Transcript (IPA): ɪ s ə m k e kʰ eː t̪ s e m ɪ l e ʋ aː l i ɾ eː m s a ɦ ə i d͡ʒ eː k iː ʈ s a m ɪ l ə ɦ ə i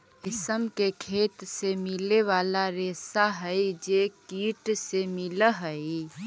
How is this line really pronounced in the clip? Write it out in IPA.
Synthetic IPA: ɪ s ə m k e kʰ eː t̪ s e m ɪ l e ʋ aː l a ɾ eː s a ɦ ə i d͡ʒ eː k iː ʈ s e m ɪ l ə ɦ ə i